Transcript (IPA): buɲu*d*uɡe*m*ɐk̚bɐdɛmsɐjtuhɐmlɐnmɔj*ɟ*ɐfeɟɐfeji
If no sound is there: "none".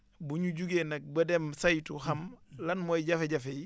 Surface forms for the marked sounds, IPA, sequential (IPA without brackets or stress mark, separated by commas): ɟ, n, ɟ